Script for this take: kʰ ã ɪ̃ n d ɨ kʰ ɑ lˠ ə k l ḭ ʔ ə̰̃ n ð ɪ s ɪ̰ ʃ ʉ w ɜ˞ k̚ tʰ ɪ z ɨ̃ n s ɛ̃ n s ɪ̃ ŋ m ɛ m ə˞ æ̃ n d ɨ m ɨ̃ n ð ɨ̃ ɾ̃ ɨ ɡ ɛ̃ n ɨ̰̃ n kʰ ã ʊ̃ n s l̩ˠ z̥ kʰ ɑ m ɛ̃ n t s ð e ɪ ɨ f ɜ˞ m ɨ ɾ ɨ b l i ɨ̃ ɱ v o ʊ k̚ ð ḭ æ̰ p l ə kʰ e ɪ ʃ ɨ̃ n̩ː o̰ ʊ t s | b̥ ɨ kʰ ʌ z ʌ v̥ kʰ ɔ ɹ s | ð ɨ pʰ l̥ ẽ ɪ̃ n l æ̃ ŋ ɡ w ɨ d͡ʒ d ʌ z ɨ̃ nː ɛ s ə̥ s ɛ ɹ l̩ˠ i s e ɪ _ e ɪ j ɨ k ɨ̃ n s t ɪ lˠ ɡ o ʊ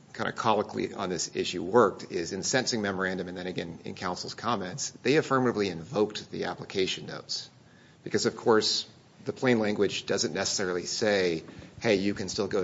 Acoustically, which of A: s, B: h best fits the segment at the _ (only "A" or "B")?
B